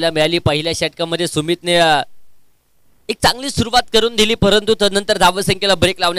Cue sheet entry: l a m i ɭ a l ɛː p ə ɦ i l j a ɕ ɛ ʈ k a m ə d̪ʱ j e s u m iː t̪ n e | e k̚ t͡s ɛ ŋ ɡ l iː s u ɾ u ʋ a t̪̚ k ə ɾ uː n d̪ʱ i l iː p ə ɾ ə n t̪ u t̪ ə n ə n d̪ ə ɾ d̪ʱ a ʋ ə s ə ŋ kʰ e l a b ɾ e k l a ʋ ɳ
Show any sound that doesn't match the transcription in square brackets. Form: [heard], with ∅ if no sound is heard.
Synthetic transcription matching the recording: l a m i ɭ a l [iː] p ə ɦ i l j a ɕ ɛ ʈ k a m ə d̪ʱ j e s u m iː t̪ n e | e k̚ t͡s [a] ŋ ɡ l iː s u ɾ u ʋ a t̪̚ k ə ɾ uː n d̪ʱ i l iː p ə ɾ ə n t̪ u t̪ ə n ə n [t̪] ə ɾ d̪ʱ a ʋ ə s ə ŋ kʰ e l a b ɾ e k l a ʋ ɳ